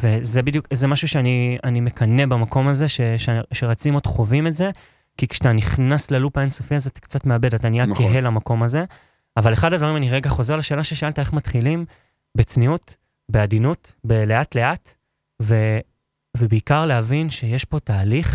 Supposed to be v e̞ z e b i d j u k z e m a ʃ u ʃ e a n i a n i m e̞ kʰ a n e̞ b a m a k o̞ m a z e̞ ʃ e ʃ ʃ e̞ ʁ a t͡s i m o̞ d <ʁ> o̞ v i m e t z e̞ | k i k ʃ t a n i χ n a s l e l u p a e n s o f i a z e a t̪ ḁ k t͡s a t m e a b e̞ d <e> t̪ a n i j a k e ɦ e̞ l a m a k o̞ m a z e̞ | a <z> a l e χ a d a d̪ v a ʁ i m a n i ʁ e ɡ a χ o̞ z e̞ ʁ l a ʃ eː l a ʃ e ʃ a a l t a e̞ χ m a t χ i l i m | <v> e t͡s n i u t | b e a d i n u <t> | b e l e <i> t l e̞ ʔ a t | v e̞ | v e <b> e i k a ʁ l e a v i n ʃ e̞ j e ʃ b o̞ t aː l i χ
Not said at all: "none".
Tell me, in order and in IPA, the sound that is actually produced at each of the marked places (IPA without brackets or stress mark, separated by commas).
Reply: χ, a, v, b, t, a, b